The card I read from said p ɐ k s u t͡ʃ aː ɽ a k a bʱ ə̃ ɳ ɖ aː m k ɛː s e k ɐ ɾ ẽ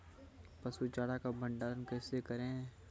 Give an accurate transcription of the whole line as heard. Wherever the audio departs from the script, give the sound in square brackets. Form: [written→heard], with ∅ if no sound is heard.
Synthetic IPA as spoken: p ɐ [k→∅] s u t͡ʃ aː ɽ a k a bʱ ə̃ ɳ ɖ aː [m→n] k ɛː s e k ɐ ɾ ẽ